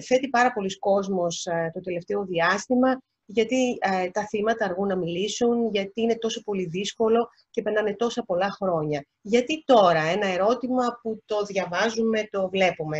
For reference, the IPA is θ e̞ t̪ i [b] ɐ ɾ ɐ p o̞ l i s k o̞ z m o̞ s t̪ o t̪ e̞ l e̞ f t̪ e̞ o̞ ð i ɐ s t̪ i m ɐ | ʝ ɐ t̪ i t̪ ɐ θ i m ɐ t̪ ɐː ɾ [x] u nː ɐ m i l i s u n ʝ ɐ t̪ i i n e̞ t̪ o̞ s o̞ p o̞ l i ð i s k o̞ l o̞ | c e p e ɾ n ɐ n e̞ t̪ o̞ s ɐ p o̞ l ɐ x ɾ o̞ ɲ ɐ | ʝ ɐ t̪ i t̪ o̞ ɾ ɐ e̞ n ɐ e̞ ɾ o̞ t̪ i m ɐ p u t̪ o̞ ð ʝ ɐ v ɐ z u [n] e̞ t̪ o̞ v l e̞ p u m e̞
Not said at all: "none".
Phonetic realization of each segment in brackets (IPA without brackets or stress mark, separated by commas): p, ɣ, m